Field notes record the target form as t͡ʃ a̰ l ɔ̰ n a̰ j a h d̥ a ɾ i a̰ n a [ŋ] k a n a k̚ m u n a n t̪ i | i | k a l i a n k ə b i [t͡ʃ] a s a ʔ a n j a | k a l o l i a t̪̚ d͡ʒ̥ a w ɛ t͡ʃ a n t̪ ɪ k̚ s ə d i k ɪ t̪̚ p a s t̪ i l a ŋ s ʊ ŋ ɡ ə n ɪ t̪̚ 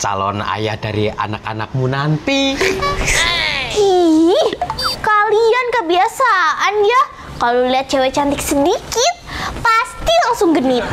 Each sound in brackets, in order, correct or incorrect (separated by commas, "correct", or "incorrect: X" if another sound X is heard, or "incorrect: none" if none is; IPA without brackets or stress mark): incorrect: none, incorrect: none